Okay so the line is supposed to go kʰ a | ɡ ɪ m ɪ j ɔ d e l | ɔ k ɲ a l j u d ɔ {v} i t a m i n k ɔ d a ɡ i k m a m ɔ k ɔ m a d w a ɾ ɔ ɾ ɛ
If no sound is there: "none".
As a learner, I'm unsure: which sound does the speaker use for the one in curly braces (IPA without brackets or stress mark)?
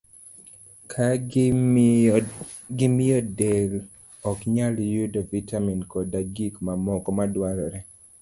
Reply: v